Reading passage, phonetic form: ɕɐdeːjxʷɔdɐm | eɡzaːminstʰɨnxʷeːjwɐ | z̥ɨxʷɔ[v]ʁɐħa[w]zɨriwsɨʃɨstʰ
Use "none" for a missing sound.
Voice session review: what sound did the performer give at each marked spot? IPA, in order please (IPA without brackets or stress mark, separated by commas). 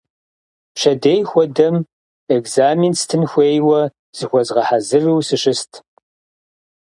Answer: z, none